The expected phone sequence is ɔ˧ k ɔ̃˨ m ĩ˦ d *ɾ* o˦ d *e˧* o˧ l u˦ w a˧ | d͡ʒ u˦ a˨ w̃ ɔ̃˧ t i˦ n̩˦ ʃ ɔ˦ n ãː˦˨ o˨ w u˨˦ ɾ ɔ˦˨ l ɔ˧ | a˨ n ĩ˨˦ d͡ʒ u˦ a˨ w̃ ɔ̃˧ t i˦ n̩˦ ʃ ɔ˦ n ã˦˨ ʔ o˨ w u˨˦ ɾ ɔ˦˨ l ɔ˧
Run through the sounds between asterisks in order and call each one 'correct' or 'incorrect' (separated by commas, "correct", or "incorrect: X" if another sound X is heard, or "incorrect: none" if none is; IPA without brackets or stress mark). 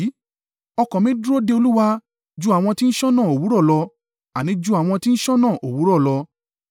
correct, correct